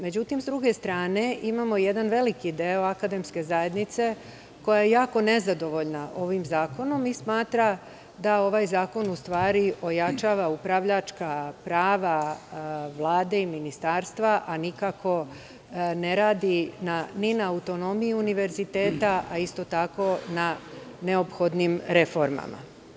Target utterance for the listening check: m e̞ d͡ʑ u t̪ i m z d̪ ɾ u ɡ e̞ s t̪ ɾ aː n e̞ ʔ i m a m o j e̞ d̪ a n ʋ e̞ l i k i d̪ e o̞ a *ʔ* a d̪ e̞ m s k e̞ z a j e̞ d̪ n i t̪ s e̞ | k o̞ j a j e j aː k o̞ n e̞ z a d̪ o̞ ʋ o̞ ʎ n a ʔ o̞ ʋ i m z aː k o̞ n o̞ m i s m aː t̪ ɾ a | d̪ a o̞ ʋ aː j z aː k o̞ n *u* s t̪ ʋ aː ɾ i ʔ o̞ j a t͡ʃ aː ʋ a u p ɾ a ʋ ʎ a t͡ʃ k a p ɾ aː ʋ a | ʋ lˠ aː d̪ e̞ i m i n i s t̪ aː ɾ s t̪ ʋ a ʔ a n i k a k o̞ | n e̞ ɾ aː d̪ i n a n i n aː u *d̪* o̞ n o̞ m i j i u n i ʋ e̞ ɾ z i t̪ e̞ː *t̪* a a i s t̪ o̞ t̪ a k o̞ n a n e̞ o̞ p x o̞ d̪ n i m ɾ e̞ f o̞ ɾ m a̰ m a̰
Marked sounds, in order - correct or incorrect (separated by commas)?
incorrect, correct, incorrect, correct